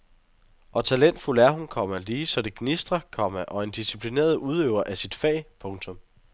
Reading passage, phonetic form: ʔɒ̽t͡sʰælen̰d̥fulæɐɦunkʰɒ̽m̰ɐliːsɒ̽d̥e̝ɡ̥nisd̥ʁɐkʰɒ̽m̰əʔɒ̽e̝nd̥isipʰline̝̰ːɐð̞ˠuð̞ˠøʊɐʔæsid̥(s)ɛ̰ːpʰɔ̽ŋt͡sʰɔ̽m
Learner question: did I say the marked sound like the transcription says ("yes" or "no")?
no